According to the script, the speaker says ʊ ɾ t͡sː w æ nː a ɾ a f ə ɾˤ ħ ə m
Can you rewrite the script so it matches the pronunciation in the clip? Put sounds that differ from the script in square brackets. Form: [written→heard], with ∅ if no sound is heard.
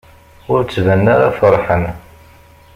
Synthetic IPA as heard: ʊ ɾ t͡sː [w→v] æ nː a ɾ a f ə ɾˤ ħ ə [m→n]